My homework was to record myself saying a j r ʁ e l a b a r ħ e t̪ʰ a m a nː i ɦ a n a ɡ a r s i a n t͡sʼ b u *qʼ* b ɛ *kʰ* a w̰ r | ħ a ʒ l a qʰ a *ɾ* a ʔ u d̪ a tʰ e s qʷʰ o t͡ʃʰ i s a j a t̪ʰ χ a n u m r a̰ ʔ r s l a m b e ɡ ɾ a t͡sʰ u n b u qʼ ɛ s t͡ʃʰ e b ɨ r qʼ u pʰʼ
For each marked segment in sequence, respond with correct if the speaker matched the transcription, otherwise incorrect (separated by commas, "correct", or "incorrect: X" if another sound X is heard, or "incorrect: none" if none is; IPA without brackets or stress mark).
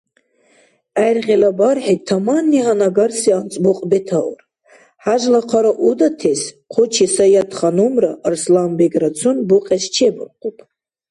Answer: correct, incorrect: tʰ, correct